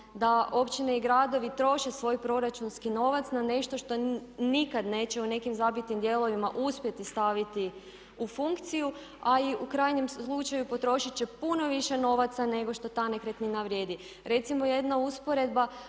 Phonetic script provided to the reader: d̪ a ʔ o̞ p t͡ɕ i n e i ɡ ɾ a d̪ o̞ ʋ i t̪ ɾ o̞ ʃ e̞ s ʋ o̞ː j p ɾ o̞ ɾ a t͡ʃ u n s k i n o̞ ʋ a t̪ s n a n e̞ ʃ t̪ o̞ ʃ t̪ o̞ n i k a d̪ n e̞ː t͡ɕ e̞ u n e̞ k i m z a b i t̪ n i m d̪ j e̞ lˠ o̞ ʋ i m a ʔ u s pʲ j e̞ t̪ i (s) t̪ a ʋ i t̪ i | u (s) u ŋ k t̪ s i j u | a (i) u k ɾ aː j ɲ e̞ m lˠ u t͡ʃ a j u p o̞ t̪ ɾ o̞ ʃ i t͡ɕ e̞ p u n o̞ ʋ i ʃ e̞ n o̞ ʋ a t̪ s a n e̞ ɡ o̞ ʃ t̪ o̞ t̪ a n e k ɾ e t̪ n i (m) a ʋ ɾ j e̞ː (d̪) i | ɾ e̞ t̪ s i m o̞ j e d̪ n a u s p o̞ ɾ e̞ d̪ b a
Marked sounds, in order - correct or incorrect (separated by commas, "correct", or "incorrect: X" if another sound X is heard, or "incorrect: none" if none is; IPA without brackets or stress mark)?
correct, incorrect: f, correct, incorrect: n, correct